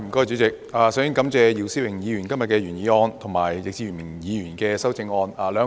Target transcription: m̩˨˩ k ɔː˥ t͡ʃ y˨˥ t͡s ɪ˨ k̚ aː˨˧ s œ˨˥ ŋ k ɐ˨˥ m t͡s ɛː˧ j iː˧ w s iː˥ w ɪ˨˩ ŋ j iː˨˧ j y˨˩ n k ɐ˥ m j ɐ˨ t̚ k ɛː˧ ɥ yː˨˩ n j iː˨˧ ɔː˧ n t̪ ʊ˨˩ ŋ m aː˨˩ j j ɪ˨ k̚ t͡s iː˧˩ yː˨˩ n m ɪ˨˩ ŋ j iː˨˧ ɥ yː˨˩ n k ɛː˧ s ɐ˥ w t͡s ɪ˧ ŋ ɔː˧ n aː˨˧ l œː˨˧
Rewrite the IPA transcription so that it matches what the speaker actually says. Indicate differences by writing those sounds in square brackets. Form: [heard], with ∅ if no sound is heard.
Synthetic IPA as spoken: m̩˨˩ k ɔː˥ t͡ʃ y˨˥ t͡s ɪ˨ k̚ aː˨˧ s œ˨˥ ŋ k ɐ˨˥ m t͡s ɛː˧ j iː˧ w s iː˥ w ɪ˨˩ ŋ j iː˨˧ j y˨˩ n k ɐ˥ m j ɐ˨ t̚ k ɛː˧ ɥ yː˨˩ n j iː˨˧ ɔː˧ n [t̪ʰ] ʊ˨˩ ŋ m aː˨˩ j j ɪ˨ k̚ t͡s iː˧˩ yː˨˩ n m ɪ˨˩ ŋ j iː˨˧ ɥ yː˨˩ n k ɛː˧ s ɐ˥ w t͡s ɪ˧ ŋ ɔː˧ n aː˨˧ l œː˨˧

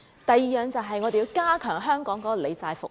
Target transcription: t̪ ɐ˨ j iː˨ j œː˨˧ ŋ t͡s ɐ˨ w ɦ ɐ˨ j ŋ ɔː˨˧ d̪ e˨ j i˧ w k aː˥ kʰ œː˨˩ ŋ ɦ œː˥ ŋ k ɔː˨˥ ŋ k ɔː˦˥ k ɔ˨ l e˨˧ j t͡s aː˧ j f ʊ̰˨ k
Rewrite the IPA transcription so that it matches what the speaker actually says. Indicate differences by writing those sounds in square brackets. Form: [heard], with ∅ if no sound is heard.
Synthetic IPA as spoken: t̪ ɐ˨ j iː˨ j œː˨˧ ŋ t͡s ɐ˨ w ɦ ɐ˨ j ŋ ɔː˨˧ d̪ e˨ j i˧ w k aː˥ kʰ œː˨˩ ŋ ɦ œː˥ ŋ k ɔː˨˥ ŋ k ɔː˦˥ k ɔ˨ l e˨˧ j t͡s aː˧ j f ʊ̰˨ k

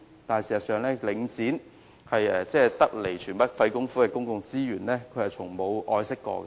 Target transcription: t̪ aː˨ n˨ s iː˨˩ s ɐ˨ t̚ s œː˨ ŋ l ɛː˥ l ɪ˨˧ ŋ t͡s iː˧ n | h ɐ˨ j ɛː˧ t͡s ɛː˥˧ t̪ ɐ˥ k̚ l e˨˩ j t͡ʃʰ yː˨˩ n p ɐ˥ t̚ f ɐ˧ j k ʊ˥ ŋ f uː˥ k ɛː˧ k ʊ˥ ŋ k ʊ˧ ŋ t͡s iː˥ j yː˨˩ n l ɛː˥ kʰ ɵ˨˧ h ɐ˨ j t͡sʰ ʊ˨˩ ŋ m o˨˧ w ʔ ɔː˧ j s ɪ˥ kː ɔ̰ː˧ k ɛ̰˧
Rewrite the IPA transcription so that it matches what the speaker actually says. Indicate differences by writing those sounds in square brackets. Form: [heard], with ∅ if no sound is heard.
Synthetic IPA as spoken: t̪ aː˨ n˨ s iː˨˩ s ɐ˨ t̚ s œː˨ ŋ l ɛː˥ l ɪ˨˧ ŋ t͡s [iː˨˥] n | h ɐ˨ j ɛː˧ t͡s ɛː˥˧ t̪ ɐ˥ k̚ l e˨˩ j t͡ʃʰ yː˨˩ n p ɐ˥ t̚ f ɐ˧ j k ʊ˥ ŋ f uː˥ k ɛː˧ k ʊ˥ ŋ k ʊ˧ ŋ t͡s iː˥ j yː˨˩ n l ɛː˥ kʰ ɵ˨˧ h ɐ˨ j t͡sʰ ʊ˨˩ ŋ m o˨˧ w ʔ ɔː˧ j s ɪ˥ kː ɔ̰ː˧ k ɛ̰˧

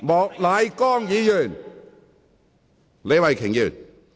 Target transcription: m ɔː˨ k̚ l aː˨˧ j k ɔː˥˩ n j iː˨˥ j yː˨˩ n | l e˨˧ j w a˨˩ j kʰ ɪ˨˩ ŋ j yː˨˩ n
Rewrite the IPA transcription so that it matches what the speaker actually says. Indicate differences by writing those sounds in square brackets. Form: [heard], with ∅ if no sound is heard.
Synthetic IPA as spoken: m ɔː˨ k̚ l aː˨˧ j k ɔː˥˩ [ŋ] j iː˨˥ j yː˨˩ n | l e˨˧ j w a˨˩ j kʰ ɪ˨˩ ŋ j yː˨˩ n

